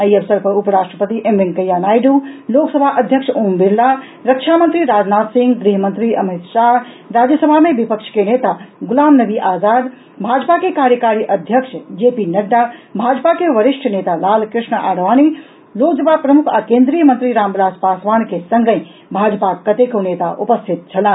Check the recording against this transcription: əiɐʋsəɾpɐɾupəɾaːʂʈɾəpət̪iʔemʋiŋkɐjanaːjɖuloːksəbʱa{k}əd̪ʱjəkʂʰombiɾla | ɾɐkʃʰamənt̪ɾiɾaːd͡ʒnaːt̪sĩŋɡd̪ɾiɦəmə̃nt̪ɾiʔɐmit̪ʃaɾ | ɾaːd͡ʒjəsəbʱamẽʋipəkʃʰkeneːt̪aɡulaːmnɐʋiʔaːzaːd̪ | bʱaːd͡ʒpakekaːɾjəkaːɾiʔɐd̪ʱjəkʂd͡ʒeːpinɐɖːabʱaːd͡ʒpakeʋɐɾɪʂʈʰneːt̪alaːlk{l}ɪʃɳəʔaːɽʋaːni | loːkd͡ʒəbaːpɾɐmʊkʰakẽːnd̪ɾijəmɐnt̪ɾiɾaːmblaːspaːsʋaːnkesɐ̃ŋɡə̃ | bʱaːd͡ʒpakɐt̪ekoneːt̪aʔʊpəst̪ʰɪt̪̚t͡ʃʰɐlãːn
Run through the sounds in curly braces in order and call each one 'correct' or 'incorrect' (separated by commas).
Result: incorrect, incorrect